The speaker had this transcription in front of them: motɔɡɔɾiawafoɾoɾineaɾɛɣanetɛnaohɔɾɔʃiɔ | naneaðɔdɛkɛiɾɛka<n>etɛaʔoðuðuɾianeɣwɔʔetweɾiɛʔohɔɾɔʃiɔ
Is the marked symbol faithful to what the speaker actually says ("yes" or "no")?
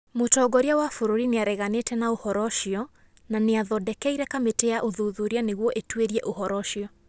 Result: no